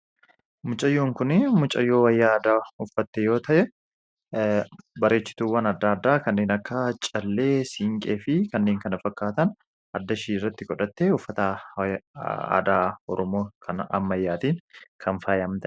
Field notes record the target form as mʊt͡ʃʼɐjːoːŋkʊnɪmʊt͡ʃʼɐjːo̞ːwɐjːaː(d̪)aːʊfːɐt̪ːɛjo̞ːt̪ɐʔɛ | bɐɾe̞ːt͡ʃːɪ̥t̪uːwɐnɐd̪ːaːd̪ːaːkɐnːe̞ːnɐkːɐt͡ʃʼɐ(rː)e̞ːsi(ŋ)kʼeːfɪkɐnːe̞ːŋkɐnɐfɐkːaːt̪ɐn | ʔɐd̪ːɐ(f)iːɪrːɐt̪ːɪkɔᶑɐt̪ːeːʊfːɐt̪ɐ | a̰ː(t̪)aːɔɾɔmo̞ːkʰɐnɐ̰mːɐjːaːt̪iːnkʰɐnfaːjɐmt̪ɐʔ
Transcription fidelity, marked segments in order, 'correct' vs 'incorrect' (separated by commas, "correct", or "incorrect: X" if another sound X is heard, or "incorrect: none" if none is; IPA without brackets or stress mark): correct, incorrect: lː, correct, incorrect: ʃ, incorrect: d̪